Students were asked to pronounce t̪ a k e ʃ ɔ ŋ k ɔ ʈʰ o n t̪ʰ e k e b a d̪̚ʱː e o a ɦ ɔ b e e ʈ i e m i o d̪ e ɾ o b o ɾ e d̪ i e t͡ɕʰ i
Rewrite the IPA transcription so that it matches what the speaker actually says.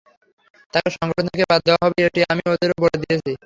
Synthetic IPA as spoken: t̪ a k e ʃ ɔ ŋ ɡ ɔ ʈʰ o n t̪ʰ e k e b a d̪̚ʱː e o a ɦ ɔ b e e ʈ i a m i o d̪ e ɾ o b o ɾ e d̪ i e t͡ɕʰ i

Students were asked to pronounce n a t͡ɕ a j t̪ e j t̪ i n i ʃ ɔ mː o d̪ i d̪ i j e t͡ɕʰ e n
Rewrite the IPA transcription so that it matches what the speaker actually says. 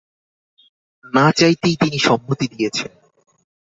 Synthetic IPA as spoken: n a t͡ɕ a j t̪ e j t̪ i n i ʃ ɔ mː o t̪ i d̪ i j e t͡ɕʰ e n

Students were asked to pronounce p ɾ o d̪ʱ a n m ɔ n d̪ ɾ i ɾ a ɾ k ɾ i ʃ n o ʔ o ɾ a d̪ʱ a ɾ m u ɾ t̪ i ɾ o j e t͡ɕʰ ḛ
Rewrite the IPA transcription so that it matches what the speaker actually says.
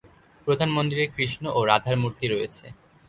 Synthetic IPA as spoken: p ɾ o d̪ʱ a n m o n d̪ ɾ i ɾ e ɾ k ɾ i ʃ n o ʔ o ɾ a d̪ʱ a ɾ m u ɾ t̪ i ɾ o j e t͡ɕʰ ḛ

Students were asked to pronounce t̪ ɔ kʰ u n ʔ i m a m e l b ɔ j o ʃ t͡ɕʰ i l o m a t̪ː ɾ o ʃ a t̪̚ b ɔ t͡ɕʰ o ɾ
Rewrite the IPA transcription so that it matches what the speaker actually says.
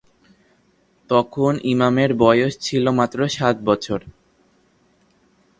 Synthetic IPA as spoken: t̪ ɔ kʰ o n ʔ i m a m e ɾ b ɔ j o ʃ t͡ɕʰ i l o m a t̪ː ɾ o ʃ a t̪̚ b ɔ t͡ɕʰ o ɾ

